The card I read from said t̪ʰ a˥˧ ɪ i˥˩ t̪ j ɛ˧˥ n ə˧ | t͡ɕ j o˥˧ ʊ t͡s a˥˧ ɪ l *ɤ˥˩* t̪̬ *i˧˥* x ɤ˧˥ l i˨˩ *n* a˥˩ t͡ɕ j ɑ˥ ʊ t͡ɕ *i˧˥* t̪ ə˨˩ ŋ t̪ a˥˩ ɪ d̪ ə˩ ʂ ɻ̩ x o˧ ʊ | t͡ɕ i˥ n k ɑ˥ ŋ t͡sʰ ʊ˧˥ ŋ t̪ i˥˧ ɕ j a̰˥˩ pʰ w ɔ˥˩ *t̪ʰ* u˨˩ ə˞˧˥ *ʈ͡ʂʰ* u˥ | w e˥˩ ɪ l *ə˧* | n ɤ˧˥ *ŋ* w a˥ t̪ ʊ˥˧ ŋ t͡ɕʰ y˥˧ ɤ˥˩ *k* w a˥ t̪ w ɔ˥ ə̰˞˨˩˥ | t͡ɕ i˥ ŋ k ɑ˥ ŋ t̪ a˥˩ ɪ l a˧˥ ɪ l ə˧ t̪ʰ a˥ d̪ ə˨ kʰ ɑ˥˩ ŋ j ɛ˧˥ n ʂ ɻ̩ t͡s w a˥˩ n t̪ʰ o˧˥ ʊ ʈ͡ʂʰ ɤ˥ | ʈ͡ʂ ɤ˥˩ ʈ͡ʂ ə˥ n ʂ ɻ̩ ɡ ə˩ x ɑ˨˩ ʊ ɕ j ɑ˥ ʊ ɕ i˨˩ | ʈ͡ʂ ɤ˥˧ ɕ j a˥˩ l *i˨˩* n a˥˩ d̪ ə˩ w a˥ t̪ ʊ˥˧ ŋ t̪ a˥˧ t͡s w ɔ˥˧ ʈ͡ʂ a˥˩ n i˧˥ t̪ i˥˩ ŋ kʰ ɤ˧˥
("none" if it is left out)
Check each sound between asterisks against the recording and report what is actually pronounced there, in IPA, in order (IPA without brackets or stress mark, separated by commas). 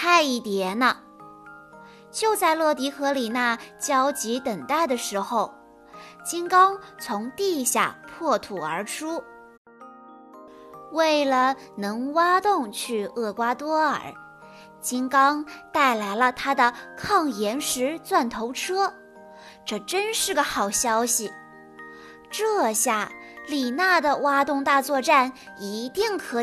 ɤ˥˩, i˧˥, n, i˧˥, t̪ʰ, ʈ͡ʂʰ, ə˩, ŋ, k, i˨˩